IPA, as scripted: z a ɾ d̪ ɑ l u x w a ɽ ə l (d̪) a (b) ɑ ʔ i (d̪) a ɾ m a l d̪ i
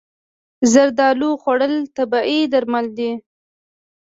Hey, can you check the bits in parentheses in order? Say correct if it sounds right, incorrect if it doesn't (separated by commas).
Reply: incorrect, correct, correct